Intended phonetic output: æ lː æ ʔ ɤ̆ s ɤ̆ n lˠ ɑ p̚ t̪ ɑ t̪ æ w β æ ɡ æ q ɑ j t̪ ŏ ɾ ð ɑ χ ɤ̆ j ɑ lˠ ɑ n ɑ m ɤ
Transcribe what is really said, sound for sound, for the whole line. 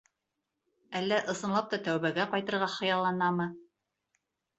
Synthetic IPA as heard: æ lː æ ʔ ɤ̆ s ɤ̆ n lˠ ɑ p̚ t̪ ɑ t̪ æ w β æ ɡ æ q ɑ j t̪ ɤ̆ ɾ ʁ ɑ χ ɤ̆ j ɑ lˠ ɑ n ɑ m ɤ